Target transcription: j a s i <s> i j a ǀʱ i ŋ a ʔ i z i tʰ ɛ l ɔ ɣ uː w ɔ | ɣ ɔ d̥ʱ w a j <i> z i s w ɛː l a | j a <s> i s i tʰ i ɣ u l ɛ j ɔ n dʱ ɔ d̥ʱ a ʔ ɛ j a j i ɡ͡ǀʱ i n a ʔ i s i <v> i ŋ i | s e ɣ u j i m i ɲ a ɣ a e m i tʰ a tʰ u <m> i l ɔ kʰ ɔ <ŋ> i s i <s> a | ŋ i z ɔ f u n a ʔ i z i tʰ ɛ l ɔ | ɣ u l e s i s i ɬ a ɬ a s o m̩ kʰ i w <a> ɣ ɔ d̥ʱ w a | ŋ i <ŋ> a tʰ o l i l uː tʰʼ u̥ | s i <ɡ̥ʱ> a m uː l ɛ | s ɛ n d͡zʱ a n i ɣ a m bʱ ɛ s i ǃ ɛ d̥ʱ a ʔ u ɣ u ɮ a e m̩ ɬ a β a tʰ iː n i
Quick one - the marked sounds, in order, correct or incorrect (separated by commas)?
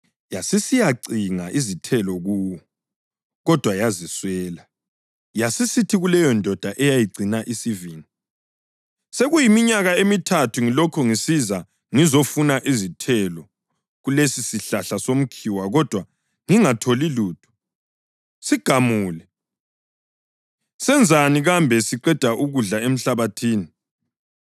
correct, incorrect, correct, correct, incorrect, correct, incorrect, correct, correct, correct